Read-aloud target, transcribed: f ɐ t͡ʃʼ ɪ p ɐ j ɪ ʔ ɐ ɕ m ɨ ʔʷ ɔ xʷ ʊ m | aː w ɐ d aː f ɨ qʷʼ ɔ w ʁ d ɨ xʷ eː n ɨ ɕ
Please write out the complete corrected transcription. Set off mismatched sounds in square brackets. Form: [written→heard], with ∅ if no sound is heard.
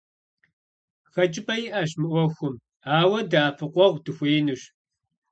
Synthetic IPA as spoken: [f→x] ɐ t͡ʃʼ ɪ p ɐ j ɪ ʔ ɐ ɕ m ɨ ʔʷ ɔ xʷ ʊ m | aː w ɐ d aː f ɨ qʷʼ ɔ [w→∅] ʁ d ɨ xʷ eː n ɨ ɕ